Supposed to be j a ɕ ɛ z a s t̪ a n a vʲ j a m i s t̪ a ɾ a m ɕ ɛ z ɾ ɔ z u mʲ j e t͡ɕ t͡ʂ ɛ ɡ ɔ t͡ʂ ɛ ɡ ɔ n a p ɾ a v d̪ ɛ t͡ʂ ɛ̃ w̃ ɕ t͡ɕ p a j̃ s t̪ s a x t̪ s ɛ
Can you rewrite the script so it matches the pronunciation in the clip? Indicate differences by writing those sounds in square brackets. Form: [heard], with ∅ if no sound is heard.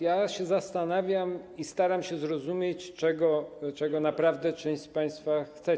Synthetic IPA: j a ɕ ɛ z a s t̪ a n a vʲ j a m i s t̪ a ɾ a m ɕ ɛ z ɾ ɔ z u mʲ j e t͡ɕ t͡ʂ ɛ ɡ ɔ t͡ʂ ɛ ɡ ɔ n a p ɾ a v d̪ ɛ t͡ʂ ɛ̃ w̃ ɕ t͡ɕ p a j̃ s t̪ [f] a x t̪ s ɛ